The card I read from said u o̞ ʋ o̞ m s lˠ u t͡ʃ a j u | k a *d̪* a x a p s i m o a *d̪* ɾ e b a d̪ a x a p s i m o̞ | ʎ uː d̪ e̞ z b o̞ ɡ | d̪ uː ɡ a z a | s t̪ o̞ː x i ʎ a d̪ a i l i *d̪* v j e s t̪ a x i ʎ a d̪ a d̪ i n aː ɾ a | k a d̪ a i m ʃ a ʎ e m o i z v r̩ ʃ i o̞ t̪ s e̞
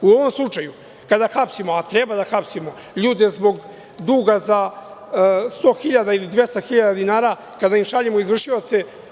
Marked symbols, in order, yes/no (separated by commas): yes, no, yes